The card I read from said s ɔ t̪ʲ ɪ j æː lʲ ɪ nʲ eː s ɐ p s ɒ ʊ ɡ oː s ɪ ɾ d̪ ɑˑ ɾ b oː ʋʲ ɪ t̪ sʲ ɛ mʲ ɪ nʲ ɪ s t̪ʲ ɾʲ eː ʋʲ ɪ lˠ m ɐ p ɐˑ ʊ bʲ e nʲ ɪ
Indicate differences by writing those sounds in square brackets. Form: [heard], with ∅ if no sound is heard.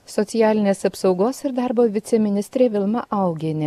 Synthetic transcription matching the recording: s ɔ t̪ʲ ɪ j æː lʲ ɪ nʲ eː s ɐ p s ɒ ʊ ɡ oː s ɪ ɾ d̪ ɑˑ ɾ b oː ʋʲ ɪ t̪ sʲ ɛ mʲ ɪ nʲ ɪ s t̪ʲ ɾʲ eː ʋʲ ɪ lˠ m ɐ [ʔ] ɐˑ ʊ [ɡʲ] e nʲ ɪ